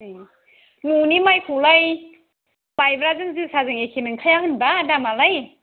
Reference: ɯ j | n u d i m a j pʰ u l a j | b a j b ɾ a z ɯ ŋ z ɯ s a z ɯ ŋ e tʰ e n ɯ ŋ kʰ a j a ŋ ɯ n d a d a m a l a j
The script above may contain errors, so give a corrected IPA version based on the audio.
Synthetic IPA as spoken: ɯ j | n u n i m a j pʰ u l a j | b a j b ɾ a z ɯ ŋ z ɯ s a z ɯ ŋ e kʰ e n ɯ ŋ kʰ a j a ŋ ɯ n b a d a m a l a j